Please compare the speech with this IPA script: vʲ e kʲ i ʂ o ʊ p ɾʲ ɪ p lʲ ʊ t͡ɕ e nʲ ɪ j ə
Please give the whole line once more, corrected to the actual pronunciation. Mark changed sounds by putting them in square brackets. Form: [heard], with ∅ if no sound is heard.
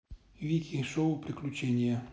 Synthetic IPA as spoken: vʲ [i] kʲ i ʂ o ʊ p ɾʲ ɪ [k] lʲ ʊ t͡ɕ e nʲ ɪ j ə